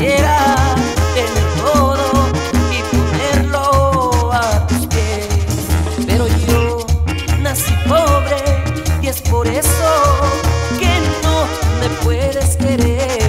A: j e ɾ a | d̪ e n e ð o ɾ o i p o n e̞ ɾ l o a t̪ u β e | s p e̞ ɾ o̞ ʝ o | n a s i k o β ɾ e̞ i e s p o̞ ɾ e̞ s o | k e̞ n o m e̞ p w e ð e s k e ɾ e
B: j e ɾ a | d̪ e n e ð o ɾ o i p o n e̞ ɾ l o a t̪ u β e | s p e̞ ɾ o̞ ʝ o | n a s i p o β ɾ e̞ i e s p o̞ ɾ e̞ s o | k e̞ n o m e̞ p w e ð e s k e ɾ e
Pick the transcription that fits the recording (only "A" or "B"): B